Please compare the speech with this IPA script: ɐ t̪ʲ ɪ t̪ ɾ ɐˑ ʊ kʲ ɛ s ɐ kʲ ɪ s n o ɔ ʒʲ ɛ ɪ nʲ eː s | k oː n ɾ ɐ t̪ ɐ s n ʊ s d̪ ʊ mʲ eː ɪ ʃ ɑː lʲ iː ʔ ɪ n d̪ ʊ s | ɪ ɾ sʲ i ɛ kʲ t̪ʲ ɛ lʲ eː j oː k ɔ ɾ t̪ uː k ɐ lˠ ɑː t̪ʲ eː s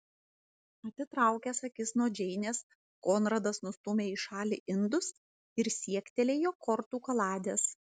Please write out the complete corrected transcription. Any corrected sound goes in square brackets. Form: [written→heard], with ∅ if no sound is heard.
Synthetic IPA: ɐ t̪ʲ ɪ t̪ ɾ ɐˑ ʊ kʲ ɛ s ɐ kʲ ɪ s n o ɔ [ʒʲ→d͡ʒʲ] ɛ ɪ nʲ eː s | k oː n ɾ ɐ [t̪→d̪] ɐ s n ʊ s [d̪→t̪] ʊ mʲ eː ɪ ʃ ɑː lʲ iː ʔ ɪ n d̪ ʊ s | ɪ ɾ sʲ i ɛ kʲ t̪ʲ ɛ lʲ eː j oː k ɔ ɾ t̪ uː k ɐ lˠ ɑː [t̪ʲ→d̪ʲ] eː s